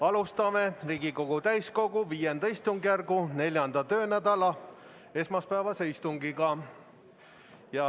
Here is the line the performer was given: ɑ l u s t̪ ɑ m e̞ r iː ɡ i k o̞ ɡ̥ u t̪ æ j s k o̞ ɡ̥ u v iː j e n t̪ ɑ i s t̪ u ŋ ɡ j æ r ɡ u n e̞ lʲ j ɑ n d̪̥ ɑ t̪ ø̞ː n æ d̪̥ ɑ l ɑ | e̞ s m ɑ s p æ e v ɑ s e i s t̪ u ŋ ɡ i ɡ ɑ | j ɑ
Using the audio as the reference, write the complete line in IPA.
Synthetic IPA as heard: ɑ l u s t̪ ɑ m e̞ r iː ɡ i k o̞ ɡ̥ u t̪ æ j s k o̞ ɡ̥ u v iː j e n d̪ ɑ i s t̪ u ŋ ɡ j æ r ɡ u n e̞ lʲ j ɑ n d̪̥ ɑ t̪ ø̞ː n æ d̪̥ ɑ l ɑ | e̞ s m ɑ s p æ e v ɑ s e i s t̪ u ŋ ɡ i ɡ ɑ | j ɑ

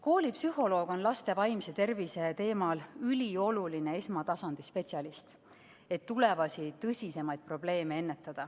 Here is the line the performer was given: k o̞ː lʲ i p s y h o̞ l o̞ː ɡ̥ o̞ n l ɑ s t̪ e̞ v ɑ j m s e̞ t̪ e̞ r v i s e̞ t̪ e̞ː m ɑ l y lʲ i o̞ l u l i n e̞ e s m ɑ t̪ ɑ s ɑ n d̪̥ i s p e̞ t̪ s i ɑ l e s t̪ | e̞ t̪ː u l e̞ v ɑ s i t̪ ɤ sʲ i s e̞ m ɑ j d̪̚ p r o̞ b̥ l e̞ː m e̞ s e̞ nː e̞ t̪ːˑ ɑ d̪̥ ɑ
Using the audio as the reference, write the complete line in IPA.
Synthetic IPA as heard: k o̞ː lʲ i p s y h o̞ l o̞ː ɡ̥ o̞ n l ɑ s t̪ e̞ v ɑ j m s e̞ t̪ e̞ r v i s e̞ t̪ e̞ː m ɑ l y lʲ i o̞ l u l i n e̞ e s m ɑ t̪ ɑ s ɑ n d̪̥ i s p e̞ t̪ s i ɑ l i s t̪ | e̞ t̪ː u l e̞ v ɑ s i t̪ ɤ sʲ i s e̞ m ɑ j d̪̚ p r o̞ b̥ l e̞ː m e̞ e̞ nː e̞ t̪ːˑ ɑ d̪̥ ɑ

